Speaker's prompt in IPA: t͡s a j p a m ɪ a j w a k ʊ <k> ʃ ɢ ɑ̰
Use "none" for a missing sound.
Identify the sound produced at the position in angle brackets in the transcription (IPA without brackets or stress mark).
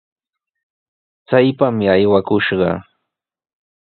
none